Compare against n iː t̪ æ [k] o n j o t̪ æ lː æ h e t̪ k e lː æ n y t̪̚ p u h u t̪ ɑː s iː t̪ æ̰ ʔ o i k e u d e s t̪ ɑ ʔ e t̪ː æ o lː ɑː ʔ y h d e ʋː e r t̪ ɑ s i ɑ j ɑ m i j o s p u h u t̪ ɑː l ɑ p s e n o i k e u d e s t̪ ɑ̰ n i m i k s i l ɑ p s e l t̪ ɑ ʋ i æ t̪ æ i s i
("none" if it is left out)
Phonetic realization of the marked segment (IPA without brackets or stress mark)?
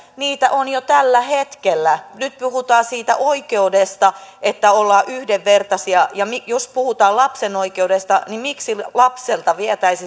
ʔ